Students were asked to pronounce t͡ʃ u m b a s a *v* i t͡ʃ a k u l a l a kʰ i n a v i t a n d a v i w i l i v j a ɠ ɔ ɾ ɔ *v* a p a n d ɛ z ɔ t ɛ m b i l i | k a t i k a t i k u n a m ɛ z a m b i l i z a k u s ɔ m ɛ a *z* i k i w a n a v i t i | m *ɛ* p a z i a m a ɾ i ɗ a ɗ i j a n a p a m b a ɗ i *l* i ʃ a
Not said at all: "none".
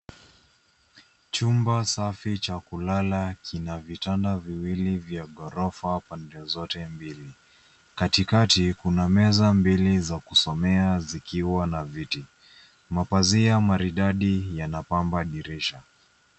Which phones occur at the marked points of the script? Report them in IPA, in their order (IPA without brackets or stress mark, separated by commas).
f, f, z, a, ɾ